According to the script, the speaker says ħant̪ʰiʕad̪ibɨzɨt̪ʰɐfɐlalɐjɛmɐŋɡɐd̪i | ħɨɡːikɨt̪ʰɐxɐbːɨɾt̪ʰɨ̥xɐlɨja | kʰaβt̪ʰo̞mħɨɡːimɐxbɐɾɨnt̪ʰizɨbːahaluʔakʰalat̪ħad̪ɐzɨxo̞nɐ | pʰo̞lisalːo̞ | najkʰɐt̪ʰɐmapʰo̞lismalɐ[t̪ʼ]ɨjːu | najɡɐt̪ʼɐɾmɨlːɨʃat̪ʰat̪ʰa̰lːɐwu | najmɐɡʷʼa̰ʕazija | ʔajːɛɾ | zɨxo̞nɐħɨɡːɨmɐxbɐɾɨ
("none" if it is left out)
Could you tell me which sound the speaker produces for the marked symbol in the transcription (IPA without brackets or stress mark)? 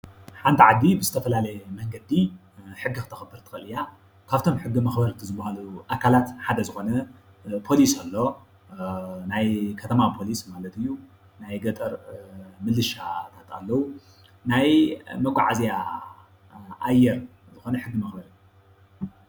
t̪